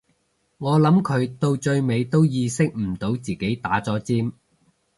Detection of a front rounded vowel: absent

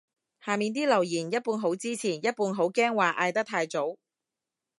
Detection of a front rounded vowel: absent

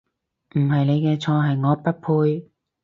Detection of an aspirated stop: present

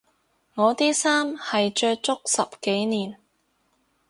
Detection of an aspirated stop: absent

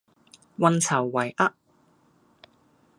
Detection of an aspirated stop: present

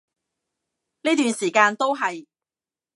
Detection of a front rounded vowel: present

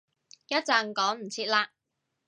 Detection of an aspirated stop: present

